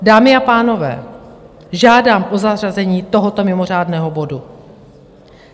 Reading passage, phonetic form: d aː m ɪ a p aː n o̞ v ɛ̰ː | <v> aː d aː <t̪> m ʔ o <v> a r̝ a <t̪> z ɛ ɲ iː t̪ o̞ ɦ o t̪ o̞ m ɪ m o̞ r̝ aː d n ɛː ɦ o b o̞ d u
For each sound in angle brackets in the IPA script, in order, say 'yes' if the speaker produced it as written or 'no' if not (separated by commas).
no, no, no, no